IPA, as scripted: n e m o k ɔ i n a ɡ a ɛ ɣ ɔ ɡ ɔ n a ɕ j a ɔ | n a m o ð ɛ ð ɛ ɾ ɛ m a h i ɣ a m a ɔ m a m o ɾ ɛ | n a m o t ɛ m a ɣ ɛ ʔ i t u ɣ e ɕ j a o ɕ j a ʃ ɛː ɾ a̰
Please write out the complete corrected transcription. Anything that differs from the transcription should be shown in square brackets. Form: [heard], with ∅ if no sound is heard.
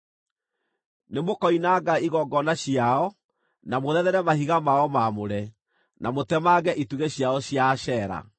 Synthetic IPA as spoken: n e m o k ɔ i n a ɡ a [i] ɣ ɔ ɡ ɔ n a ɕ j a ɔ | n a m o ð ɛ ð ɛ ɾ ɛ m a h i ɣ a m a ɔ m a m o ɾ ɛ | n a m o t ɛ m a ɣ ɛ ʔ i t u ɣ e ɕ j a [ɔ] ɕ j a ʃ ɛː ɾ a̰